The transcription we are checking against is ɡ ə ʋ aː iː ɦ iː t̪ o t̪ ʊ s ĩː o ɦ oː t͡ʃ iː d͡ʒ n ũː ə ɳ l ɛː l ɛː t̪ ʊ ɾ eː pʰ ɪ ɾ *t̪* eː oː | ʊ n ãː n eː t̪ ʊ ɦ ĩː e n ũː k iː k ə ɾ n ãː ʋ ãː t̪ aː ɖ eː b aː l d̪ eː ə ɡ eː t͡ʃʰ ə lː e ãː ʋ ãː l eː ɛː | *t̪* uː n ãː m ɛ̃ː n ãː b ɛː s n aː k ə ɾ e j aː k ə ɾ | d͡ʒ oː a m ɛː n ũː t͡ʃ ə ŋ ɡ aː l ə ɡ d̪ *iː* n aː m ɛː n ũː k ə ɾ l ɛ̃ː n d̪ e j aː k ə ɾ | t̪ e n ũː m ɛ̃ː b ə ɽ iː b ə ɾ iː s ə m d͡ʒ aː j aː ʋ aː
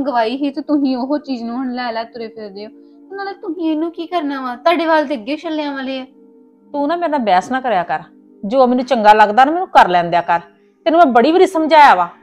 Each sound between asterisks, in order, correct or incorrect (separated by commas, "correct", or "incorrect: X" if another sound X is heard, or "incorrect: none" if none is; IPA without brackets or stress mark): incorrect: d̪, correct, incorrect: aː